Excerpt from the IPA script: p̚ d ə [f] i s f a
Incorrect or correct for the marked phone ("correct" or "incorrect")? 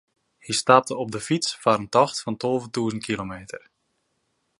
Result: correct